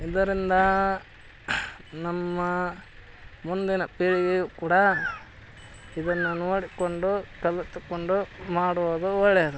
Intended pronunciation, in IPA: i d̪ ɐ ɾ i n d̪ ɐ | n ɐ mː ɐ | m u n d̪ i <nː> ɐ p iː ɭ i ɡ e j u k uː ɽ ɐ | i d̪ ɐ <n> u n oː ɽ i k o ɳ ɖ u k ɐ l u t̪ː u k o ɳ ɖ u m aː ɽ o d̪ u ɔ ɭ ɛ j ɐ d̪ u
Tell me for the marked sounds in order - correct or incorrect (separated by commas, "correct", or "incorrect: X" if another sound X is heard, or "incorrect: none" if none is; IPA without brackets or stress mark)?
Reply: incorrect: n, incorrect: nː